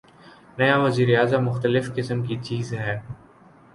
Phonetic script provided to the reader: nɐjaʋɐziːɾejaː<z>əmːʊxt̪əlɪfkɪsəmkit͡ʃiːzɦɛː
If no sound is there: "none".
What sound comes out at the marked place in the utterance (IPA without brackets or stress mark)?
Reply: z